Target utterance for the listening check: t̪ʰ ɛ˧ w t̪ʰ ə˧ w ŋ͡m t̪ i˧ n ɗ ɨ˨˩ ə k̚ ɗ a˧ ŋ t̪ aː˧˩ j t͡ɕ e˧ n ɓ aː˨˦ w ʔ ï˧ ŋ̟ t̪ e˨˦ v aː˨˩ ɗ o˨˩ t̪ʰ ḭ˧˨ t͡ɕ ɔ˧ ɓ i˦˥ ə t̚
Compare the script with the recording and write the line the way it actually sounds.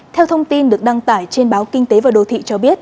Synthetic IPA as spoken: t̪ʰ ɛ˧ w t̪ʰ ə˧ w ŋ͡m t̪ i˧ n ɗ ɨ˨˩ ə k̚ ɗ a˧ ŋ t̪ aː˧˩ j t͡ɕ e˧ n ɓ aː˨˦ w k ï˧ ŋ̟ t̪ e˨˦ v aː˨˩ ɗ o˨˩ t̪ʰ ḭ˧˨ t͡ɕ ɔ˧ ɓ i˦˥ ə t̚

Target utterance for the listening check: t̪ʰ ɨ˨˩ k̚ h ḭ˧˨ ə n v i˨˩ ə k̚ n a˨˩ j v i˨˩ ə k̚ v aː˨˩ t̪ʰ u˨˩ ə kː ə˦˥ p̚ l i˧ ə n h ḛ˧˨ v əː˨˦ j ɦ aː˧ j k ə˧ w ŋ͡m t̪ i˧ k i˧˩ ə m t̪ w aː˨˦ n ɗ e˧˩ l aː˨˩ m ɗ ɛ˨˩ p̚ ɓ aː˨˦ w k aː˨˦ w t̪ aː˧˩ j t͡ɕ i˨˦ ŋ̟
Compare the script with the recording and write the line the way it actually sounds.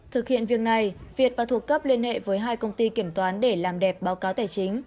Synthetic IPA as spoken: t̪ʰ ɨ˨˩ k̚ h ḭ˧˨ ə n v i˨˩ ə k̚ n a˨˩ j v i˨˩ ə t̚ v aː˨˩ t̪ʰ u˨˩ ə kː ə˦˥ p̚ l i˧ ə n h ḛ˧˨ v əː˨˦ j ɦ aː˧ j k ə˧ w ŋ͡m t̪ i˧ k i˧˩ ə m t̪ w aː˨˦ n ɗ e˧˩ l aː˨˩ m ɗ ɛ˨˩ p̚ ɓ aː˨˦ w k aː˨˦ w t̪ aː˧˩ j t͡ɕ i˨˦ ŋ̟

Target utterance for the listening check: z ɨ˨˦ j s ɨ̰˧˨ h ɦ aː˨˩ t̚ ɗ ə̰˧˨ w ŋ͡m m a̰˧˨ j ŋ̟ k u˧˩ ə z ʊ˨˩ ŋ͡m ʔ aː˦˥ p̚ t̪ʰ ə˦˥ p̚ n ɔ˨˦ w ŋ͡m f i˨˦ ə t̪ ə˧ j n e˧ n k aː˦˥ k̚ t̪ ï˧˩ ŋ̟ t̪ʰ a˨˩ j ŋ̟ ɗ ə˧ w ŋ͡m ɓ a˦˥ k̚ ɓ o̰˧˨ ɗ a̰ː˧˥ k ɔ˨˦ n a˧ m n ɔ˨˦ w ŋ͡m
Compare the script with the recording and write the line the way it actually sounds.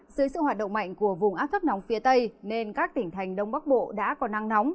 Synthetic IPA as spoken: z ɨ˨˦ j s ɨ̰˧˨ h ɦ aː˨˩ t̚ ɗ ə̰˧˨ w ŋ͡m m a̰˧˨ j ŋ̟ k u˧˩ ə v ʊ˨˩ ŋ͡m ʔ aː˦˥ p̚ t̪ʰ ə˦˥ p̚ n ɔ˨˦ w ŋ͡m f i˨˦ ə t̪ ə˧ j n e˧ n k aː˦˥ k̚ t̪ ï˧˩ ŋ̟ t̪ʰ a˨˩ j ŋ̟ ɗ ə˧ w ŋ͡m ɓ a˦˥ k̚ ɓ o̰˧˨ ɗ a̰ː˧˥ k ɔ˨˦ n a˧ ŋ n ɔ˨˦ w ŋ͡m

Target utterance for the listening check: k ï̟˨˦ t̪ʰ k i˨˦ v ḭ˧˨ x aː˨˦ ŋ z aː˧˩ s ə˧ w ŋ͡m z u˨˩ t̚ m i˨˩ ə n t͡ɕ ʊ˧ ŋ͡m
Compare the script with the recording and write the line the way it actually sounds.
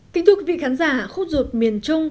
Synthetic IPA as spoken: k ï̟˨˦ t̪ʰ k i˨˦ v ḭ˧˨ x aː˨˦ n z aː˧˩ x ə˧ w ŋ͡m z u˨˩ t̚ m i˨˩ ə n t͡ɕ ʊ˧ ŋ͡m

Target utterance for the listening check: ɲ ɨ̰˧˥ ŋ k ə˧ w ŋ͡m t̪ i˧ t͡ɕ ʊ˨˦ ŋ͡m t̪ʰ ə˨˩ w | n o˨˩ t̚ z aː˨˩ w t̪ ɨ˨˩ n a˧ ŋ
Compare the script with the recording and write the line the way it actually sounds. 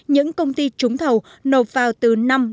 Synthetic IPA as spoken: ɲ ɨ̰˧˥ ŋ k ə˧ w ŋ͡m t̪ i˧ t͡ɕ ʊ˨˦ ŋ͡m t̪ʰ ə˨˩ w | n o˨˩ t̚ v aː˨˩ w t̪ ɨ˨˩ n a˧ m

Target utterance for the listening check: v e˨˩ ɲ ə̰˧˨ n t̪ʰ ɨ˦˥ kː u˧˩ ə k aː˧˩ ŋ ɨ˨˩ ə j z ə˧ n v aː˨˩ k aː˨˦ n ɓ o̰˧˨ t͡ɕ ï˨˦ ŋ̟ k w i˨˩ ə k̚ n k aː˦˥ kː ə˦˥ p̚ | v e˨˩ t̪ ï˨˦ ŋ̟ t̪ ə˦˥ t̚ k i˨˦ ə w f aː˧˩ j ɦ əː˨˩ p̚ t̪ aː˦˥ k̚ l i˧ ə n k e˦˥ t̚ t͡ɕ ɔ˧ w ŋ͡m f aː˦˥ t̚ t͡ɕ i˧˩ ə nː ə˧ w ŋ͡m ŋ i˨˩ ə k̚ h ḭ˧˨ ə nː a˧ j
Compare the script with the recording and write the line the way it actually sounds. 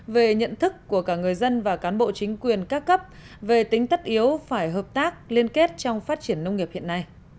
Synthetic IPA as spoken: v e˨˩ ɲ ə̰˧˨ n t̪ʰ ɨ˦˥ kː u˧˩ ə k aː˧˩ ŋ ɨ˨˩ ə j z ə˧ n v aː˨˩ k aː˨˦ n ɓ o̰˧˨ t͡ɕ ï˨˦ ŋ̟ k w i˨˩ ə n k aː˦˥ kː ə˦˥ p̚ | v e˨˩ t̪ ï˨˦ ŋ̟ t̪ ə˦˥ t̚ ʔ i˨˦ ə w f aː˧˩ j ɦ əː˨˩ p̚ t̪ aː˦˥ k̚ l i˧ ə n k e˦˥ t̚ t͡ɕ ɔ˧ w ŋ͡m f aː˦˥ t̚ t͡ɕ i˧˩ ə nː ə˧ w ŋ͡m ŋ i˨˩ ə p̚ h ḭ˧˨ ə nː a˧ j

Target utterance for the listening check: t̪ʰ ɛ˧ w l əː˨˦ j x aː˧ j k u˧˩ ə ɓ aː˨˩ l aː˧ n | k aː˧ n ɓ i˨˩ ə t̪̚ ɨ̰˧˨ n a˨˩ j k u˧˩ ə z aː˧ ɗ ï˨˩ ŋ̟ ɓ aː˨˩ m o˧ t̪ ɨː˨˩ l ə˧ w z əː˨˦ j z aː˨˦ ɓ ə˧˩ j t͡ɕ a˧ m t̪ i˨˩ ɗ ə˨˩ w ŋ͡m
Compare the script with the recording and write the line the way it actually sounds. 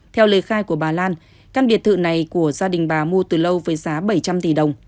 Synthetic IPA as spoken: t̪ʰ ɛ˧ w l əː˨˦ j x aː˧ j k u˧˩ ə ɓ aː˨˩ l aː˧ n | k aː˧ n ɓ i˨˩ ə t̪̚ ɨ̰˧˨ n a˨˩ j k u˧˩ ə z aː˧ ɗ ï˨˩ ŋ̟ ɓ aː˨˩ m u˧ t̪ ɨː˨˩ l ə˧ w v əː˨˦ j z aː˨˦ ɓ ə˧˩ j t͡ɕ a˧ m t̪ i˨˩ ɗ ə˨˩ w ŋ͡m

